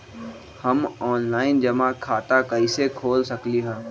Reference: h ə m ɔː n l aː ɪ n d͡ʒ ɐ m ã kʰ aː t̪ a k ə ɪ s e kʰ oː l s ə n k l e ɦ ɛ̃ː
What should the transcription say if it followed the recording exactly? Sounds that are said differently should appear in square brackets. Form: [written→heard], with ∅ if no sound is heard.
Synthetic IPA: h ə m ɔː n l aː ɪ n d͡ʒ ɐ m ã kʰ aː t̪ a k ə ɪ s e kʰ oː l s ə [n→∅] k l [e→i] ɦ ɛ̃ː

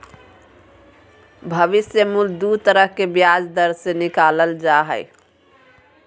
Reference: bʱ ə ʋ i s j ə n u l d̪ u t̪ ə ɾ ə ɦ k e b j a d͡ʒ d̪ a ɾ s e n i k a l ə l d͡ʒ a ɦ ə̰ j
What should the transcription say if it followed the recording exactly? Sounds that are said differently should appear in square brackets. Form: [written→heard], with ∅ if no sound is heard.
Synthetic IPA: bʱ ə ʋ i s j ə [n→m] u l d̪ u t̪ ə ɾ ə ɦ k e b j a d͡ʒ d̪ [a→ə] ɾ s e n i k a l ə l d͡ʒ a ɦ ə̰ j

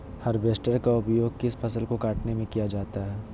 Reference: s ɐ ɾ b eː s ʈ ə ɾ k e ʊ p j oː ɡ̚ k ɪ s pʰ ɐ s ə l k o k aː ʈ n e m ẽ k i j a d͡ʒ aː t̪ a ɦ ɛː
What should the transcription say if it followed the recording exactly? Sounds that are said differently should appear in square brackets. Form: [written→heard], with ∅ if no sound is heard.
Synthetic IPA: [s→h] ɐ ɾ b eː s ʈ ə ɾ k [e→a] ʊ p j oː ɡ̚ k ɪ s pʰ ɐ s ə l k o k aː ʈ n e m ẽ k i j a d͡ʒ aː t̪ a ɦ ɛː

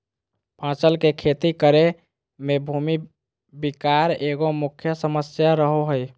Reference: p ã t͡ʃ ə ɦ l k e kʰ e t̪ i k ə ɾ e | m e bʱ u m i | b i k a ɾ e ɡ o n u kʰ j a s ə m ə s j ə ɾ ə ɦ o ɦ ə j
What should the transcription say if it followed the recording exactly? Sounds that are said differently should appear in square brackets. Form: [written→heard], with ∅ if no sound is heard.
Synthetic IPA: p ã t͡ʃ ə [ɦ→∅] l k e kʰ e t̪ i k ə ɾ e | m e bʱ u m i | b i k a ɾ e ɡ o [n→m] u kʰ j [a→ə] s ə m ə s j [ə→a] ɾ ə ɦ o ɦ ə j

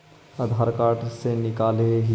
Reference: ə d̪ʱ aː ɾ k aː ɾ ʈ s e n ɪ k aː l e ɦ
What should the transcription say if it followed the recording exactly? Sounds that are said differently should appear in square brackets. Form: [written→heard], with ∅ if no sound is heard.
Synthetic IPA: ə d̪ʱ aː ɾ k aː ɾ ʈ s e n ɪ k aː l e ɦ

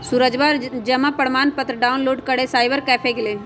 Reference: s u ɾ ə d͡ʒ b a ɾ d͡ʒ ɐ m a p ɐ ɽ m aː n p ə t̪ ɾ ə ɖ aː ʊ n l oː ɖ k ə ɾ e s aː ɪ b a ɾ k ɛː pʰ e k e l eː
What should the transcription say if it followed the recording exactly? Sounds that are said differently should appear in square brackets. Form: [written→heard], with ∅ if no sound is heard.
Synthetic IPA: s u ɾ ə d͡ʒ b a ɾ d͡ʒ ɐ m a p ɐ ɽ m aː n p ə t̪ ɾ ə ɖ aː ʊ n l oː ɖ k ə [ɾ→ɽ] e s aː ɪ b [a→ə] ɾ k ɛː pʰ e k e l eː

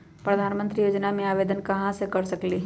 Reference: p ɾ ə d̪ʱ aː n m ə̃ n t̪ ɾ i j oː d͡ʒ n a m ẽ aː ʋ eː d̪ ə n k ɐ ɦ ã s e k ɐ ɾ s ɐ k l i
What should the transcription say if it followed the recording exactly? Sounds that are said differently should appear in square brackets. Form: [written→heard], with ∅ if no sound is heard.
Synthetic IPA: p ɾ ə d̪ʱ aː n m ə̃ n t̪ ɾ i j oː d͡ʒ n a m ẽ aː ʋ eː d̪ ə n k ɐ ɦ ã s e k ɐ ɾ s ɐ k l i

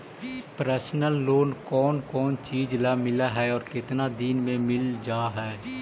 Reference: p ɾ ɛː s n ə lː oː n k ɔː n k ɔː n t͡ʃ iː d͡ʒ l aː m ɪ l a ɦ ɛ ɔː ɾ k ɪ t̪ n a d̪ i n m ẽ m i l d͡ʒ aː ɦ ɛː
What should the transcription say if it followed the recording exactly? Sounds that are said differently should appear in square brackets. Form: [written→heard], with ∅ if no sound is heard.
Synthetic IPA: p ɾ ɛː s n ə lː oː n k ɔː n k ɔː n t͡ʃ iː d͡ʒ l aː m ɪ l a ɦ ɛ ɔː ɾ k ɪ t̪ n a d̪ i n m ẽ m [i→ɪ] l d͡ʒ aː ɦ ɛː

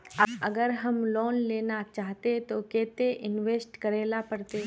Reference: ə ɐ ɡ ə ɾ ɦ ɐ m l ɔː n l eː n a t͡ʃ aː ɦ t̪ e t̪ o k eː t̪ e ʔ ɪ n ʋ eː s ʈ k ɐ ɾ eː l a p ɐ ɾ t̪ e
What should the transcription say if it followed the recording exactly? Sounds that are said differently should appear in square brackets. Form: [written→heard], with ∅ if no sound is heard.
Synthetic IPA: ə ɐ ɡ ə ɾ ɦ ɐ m l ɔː n l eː n a t͡ʃ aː ɦ t̪ e t̪ o k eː t̪ e ʔ ɪ n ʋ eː s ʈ k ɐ ɾ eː l a p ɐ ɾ t̪ e

